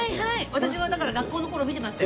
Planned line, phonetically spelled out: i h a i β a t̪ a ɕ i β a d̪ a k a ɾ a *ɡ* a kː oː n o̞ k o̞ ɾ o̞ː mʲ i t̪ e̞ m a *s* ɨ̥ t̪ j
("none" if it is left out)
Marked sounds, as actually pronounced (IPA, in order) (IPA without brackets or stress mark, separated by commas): ɡ, s